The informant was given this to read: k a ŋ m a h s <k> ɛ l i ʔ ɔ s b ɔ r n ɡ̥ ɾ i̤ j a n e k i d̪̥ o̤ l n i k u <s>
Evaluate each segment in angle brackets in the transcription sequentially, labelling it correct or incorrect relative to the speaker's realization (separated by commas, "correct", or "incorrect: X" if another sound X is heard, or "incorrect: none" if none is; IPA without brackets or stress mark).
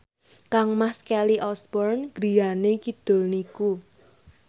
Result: correct, incorrect: none